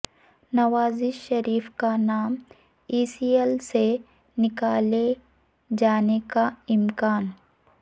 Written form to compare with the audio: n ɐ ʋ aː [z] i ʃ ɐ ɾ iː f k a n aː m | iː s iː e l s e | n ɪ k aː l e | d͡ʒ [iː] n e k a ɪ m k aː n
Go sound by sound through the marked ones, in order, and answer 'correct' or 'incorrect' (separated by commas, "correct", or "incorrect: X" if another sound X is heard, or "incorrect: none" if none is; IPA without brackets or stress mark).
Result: correct, incorrect: aː